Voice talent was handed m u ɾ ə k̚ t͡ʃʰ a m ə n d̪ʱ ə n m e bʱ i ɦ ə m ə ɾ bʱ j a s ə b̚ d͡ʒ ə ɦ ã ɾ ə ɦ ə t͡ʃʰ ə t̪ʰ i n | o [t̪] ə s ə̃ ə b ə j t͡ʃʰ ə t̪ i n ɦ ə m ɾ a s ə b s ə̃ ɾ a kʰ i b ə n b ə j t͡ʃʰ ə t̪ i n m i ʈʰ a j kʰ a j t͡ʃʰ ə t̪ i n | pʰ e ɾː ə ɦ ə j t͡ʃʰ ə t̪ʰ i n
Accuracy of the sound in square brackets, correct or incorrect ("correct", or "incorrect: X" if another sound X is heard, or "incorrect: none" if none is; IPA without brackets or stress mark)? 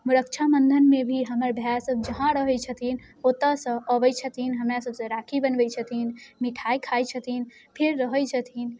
correct